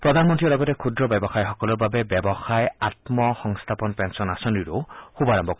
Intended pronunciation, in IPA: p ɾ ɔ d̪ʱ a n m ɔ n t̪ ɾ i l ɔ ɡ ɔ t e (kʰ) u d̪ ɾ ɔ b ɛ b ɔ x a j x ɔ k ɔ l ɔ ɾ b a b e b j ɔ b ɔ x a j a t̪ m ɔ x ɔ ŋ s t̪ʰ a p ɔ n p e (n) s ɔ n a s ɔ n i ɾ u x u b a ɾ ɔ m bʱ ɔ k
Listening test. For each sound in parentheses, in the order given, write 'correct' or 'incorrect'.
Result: correct, correct

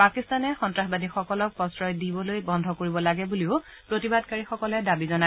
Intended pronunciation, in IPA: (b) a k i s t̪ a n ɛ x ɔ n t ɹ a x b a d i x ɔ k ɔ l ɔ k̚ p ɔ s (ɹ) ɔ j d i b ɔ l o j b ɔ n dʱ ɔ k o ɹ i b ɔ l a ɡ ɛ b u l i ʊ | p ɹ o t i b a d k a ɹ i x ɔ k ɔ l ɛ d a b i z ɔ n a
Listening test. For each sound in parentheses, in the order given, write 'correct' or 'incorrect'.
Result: incorrect: p, correct

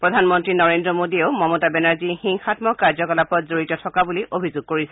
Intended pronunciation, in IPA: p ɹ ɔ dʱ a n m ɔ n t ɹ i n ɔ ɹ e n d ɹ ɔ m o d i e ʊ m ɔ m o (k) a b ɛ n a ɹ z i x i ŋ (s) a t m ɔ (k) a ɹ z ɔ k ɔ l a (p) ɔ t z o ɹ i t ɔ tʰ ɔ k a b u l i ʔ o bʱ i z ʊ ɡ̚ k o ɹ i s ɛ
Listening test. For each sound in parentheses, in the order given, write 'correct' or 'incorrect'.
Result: incorrect: t, incorrect: x, correct, correct

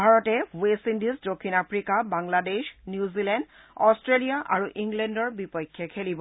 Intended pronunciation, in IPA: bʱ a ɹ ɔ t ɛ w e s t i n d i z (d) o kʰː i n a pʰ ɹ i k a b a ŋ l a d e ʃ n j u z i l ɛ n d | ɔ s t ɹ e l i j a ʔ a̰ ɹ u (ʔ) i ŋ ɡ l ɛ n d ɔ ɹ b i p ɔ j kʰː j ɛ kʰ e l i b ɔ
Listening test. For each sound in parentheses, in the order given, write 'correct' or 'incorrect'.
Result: correct, correct

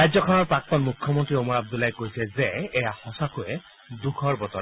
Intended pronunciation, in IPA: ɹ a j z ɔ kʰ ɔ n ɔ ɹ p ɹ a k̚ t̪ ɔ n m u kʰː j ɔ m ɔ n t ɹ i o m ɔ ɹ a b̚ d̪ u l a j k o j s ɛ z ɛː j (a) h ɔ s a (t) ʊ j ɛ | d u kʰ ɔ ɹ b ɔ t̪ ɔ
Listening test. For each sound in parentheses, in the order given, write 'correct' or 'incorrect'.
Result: correct, incorrect: k

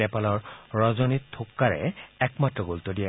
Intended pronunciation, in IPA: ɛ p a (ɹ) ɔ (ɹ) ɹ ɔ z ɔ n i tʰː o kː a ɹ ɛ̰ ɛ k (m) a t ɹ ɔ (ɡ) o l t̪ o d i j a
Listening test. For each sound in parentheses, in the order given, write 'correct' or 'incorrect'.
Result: incorrect: l, correct, correct, correct

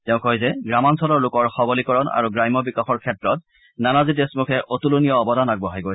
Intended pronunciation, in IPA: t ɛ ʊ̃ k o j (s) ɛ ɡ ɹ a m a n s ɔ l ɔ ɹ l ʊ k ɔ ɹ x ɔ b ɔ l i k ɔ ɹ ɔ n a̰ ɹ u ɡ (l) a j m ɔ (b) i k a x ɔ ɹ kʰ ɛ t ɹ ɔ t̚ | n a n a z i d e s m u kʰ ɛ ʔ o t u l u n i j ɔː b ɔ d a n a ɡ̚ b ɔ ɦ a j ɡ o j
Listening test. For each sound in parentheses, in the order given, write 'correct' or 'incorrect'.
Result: incorrect: z, incorrect: ɹ, correct

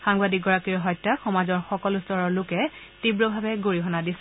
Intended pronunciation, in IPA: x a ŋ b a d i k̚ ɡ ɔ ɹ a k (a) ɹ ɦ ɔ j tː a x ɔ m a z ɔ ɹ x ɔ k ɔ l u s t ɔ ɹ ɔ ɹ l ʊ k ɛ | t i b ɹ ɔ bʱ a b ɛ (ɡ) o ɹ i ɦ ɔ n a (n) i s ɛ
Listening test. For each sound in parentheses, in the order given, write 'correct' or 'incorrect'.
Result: incorrect: i, correct, incorrect: d

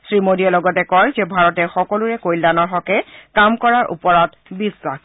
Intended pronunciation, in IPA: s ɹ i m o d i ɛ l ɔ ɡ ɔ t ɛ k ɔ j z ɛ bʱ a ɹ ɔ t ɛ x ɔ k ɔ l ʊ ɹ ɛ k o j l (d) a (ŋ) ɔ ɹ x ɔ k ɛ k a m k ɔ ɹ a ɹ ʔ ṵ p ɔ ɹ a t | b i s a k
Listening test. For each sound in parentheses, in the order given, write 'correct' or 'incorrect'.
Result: correct, incorrect: n

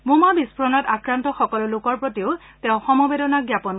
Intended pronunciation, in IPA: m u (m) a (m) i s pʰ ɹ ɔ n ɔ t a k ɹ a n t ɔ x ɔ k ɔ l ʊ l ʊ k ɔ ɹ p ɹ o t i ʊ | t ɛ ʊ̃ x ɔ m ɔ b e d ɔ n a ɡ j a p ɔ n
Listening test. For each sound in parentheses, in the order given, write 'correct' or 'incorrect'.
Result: correct, incorrect: b

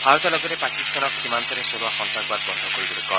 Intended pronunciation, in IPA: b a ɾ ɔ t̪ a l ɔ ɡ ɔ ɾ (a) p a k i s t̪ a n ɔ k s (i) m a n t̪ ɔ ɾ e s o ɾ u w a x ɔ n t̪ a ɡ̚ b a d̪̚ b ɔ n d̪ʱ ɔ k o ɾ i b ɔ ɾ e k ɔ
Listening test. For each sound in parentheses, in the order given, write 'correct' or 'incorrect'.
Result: incorrect: e, correct

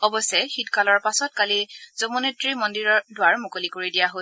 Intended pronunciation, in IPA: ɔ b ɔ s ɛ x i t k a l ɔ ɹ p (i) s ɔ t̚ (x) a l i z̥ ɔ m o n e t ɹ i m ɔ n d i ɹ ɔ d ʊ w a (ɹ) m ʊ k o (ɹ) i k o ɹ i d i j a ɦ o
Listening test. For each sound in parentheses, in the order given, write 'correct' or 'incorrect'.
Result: incorrect: a, incorrect: k, correct, incorrect: l

